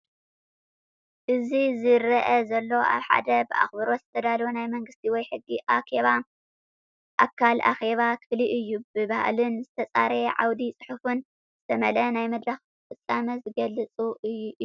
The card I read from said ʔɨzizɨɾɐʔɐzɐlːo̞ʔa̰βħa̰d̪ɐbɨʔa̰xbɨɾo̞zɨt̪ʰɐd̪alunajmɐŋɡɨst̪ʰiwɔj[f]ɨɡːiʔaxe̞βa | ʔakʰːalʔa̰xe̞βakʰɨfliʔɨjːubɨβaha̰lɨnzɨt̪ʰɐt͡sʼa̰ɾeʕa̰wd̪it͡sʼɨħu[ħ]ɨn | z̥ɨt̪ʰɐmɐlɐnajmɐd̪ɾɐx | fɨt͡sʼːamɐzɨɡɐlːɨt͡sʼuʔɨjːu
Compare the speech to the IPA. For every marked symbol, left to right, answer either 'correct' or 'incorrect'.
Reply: incorrect: ħ, incorrect: f

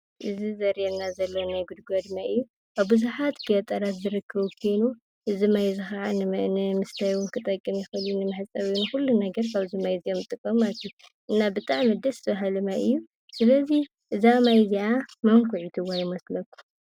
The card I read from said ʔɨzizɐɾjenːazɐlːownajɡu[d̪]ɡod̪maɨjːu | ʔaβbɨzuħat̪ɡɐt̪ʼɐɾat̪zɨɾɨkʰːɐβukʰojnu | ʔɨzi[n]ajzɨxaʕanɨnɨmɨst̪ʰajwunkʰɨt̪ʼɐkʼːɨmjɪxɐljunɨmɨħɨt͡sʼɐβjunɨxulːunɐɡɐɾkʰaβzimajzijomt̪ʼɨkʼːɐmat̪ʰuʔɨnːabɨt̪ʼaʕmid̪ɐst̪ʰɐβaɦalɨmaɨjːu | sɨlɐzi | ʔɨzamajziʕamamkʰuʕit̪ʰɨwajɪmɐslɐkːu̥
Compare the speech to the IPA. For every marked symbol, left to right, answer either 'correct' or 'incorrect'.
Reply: correct, incorrect: m

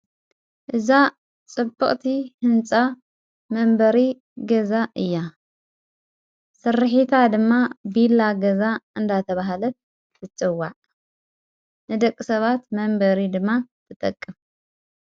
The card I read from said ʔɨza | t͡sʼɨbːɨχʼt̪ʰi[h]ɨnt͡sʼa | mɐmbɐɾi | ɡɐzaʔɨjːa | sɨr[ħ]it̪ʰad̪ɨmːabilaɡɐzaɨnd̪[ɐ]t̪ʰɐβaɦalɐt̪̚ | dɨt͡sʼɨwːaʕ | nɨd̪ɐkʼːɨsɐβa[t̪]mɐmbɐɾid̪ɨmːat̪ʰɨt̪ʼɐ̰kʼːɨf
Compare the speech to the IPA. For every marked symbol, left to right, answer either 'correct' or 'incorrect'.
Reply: correct, correct, incorrect: a, correct

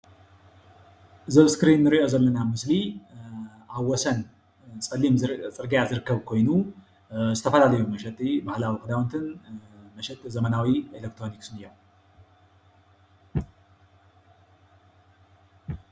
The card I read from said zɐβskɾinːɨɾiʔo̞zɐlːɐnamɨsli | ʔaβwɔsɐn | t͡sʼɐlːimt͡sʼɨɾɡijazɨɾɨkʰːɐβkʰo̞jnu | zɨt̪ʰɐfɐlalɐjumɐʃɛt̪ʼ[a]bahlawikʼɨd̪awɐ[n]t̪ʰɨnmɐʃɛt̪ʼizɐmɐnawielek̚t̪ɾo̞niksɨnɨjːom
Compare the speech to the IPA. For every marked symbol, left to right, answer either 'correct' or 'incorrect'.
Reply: incorrect: i, correct

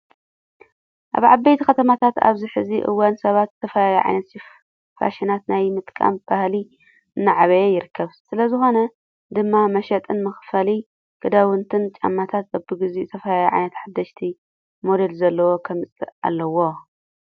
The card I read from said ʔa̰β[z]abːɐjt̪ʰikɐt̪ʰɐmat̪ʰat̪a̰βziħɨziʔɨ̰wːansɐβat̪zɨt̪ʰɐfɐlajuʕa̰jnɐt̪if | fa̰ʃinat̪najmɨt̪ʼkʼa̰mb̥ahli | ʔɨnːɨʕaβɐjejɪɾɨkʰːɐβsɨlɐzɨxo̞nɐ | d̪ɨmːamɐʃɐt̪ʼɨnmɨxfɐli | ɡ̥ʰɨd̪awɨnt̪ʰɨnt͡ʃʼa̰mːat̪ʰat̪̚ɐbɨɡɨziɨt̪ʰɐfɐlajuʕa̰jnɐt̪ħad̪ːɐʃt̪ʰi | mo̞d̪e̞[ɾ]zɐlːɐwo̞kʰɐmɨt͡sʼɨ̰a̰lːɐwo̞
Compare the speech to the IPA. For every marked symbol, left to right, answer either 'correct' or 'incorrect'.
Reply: incorrect: ʕ, incorrect: l

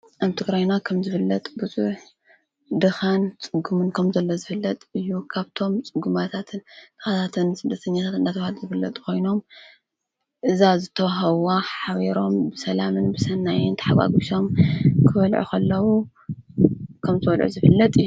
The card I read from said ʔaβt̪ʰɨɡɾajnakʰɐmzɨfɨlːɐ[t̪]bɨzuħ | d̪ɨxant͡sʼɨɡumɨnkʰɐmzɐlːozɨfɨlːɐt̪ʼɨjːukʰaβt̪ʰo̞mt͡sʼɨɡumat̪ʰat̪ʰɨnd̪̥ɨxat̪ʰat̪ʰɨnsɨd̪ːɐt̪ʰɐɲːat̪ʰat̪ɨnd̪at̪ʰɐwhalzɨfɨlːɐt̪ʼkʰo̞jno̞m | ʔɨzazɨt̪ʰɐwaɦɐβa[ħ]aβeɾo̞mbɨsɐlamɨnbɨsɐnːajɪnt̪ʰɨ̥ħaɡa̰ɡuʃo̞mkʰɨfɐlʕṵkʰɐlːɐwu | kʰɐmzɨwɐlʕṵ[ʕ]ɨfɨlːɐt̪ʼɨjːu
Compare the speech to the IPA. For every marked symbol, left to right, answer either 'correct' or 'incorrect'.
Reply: incorrect: t̪ʼ, correct, incorrect: z

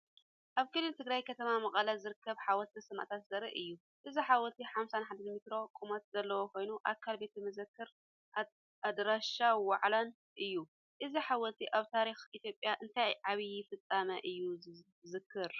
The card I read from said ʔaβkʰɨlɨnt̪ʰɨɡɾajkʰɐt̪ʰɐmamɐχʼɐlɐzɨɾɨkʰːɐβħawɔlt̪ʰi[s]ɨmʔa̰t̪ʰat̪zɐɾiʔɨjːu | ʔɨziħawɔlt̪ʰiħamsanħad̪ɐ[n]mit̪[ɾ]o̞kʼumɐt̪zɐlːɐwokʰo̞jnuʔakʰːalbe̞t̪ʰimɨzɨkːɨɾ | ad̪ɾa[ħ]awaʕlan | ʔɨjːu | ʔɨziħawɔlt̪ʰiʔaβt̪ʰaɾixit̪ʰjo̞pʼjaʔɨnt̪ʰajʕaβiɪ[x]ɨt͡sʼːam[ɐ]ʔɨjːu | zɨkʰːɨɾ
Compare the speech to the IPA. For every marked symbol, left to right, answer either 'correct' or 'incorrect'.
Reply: correct, correct, correct, incorrect: ʃ, incorrect: f, correct

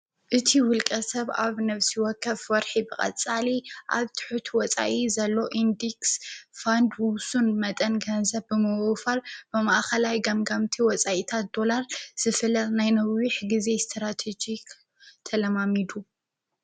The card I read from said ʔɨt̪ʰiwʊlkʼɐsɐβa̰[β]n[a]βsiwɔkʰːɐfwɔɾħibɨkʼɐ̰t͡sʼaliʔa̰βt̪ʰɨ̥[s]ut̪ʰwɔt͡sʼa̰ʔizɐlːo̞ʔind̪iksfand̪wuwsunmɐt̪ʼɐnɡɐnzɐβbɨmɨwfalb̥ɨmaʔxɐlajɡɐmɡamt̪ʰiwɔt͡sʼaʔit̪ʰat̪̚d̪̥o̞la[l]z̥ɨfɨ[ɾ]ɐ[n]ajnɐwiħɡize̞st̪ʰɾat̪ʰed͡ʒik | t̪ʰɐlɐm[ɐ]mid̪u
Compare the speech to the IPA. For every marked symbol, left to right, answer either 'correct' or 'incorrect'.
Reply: correct, incorrect: ɐ, incorrect: ħ, incorrect: ɾ, incorrect: l, correct, incorrect: a

